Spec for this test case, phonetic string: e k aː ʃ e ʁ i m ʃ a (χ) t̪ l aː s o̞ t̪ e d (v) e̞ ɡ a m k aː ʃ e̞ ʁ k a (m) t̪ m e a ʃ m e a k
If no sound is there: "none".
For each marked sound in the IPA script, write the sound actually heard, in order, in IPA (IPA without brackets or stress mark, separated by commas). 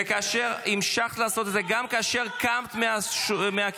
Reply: χ, z, m